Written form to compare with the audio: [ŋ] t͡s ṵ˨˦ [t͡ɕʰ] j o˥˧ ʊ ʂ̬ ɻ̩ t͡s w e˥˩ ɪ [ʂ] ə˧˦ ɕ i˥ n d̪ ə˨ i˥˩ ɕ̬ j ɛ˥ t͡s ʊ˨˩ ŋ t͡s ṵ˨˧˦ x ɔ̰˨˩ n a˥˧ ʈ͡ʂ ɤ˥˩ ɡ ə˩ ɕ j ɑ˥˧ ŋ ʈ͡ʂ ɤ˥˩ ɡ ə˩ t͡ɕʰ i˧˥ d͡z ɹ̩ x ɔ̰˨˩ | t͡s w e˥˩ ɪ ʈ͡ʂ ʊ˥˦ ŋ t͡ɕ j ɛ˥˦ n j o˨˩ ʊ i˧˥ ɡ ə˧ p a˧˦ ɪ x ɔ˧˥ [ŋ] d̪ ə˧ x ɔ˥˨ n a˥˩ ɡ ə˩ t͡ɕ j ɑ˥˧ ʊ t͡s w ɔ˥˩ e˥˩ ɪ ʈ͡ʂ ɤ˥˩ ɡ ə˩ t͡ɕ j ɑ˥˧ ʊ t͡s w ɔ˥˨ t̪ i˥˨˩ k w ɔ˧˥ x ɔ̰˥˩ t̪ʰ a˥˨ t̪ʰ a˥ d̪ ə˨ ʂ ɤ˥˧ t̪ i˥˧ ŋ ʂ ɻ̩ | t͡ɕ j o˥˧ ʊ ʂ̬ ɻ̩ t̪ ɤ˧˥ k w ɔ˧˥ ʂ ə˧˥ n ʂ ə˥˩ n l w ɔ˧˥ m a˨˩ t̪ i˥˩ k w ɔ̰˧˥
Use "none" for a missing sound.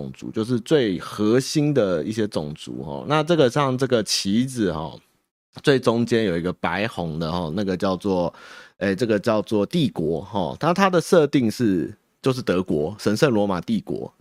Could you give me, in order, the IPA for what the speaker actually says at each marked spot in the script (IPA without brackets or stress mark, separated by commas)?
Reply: ŋ, t͡ɕ, x, ŋ